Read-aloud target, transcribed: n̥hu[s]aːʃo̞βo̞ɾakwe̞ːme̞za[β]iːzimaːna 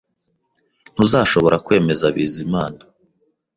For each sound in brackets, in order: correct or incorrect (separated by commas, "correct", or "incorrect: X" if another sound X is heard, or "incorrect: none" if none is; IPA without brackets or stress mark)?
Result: incorrect: z, correct